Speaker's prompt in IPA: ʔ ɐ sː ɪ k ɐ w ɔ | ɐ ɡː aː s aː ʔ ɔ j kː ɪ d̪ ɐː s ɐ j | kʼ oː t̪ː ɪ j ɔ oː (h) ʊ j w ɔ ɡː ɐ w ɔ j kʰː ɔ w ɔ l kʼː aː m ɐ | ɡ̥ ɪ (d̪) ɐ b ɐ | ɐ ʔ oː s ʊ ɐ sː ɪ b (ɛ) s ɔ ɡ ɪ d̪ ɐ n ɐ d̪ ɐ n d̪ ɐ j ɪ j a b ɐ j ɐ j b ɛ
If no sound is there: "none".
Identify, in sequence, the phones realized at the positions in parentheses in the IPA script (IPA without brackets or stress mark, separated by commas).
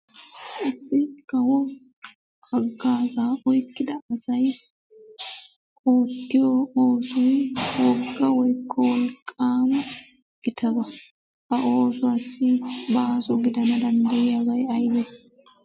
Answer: s, t̪, a